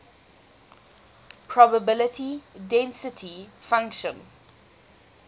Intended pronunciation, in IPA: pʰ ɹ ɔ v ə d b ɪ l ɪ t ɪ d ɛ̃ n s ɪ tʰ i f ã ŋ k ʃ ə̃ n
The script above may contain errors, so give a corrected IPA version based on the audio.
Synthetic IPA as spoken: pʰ ɹ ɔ b ə b ɪ l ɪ t i d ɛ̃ n s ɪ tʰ i f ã ŋ k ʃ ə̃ n